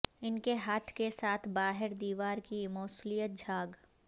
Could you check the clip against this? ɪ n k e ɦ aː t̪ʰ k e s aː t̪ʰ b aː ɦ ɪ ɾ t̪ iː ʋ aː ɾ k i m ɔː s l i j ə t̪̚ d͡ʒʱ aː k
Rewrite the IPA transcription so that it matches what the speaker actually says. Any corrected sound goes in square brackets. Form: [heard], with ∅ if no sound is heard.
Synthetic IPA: ɪ n k e ɦ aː t̪ʰ k e s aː t̪ʰ b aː ɦ ɪ ɾ [d̪] iː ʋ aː ɾ k i m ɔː s l i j ə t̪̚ d͡ʒʱ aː [ɡ]